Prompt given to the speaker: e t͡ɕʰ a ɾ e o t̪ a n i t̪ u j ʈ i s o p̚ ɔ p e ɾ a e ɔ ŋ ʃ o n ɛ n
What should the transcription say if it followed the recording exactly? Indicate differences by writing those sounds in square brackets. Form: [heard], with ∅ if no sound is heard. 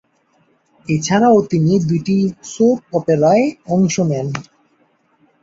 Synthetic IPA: e t͡ɕʰ a ɾ [a] o t̪ [i] n i [d̪] u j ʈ i s o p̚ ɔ p e ɾ a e ɔ ŋ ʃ o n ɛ n

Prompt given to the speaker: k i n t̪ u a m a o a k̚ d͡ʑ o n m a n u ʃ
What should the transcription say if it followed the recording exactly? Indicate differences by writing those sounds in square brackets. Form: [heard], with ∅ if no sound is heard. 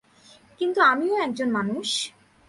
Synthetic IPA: k i n t̪ u a m [i] o [ɛ] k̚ d͡ʑ o n m a n u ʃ

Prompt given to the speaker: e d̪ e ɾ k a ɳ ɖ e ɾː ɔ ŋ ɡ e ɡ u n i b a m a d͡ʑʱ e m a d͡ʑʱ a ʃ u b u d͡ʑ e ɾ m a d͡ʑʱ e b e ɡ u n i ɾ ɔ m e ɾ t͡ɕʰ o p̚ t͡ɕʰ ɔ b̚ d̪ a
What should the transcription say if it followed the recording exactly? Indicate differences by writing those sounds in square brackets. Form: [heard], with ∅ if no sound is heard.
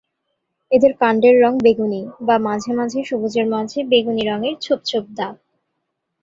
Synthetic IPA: e d̪ e ɾ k a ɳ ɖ e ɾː ɔ ŋ [b] e ɡ u n i b a m a d͡ʑʱ e m a d͡ʑʱ [e] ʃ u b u d͡ʑ e ɾ m a d͡ʑʱ e b e ɡ u n i ɾ ɔ [ŋ] e ɾ t͡ɕʰ o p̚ t͡ɕʰ [o] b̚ d̪ a

